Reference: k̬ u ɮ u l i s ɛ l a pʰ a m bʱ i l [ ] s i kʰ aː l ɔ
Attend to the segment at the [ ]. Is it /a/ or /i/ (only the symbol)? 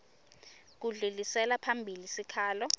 i